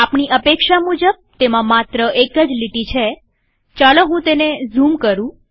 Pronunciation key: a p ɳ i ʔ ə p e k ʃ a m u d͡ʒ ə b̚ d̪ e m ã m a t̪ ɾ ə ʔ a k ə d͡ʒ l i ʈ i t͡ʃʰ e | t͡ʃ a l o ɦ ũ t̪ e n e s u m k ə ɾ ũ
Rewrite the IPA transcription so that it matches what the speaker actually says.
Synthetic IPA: a p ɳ i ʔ ə p e k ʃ a m u d͡ʒ ə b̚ t̪ e m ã m a t̪ ɾ ə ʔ e k ə d͡ʒ l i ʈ i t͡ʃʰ e | t͡ʃ a l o ɦ ũ t̪ e n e z u m k ə ɾ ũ